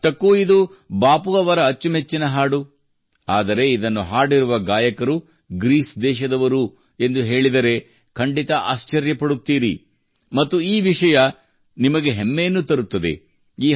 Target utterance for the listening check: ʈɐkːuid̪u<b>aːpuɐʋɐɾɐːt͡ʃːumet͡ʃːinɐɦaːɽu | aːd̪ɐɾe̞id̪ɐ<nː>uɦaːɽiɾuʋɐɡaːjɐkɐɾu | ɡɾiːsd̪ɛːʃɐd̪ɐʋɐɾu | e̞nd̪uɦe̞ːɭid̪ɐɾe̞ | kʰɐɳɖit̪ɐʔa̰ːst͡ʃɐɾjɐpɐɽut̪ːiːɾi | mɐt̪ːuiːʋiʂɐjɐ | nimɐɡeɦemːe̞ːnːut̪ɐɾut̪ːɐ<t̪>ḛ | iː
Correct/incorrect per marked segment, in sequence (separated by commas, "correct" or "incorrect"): correct, correct, incorrect